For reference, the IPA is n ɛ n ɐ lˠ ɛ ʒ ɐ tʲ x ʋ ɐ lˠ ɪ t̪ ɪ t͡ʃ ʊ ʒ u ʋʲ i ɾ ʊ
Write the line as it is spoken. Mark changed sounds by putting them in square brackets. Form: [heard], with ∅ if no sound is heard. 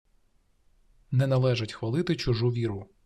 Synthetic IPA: n ɛ n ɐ lˠ ɛ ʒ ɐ tʲ x ʋ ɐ lˠ ɪ t̪ ɪ t͡ʃ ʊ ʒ u ʋʲ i ɾ ʊ